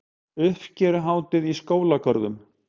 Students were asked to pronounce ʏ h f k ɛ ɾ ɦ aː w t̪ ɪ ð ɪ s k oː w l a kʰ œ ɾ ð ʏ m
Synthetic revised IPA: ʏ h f c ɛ ɾ ɦ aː w t̪ ɪ ð i s k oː w l a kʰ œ ɾ ð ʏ m